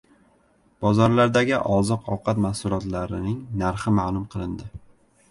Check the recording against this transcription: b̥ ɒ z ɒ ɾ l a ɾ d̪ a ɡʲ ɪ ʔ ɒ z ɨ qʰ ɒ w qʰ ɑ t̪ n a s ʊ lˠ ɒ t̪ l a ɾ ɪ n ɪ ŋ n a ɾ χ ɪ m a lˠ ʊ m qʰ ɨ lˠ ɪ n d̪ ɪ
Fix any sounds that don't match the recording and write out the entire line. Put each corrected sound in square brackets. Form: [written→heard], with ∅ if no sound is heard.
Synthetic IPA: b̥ ɒ z ɒ ɾ l a ɾ d̪ a ɡʲ ɪ ʔ ɒ z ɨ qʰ ɒ w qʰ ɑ t̪ [n→m] a s ʊ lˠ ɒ t̪ l a ɾ ɪ n ɪ ŋ n a ɾ χ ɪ m a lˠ ʊ m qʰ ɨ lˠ ɪ n d̪ ɪ